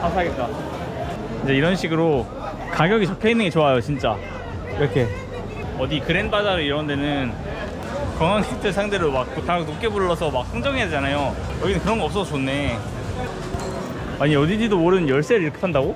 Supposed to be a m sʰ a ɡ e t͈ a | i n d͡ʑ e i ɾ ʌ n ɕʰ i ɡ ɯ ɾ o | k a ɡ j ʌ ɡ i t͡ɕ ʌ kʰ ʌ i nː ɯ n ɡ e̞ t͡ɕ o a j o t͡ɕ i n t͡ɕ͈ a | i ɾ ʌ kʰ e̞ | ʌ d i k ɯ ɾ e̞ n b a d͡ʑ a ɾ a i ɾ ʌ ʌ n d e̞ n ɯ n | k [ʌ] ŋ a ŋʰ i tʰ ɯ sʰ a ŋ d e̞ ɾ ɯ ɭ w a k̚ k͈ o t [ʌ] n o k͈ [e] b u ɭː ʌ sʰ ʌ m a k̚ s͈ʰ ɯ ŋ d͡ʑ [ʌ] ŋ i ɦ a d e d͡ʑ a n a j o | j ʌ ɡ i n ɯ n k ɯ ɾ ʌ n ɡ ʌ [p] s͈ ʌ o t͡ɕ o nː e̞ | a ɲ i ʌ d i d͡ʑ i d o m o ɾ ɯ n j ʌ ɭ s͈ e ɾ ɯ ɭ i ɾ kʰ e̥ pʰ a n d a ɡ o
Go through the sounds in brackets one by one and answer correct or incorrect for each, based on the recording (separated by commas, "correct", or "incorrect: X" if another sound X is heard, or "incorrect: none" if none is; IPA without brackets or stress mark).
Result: correct, incorrect: a, correct, correct, correct